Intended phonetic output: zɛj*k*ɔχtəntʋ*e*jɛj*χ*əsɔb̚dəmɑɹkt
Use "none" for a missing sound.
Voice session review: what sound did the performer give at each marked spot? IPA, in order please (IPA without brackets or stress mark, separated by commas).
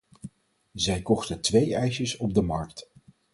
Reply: k, e, ʃ